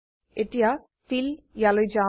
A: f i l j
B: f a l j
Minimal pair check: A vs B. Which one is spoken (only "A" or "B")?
A